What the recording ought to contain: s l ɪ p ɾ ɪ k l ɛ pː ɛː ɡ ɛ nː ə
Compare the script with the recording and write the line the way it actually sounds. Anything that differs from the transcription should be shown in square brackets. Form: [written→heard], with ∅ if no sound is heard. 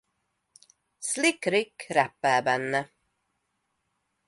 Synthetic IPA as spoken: s l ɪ [p→k] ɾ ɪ k [l→ɾ] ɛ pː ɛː [ɡ→b] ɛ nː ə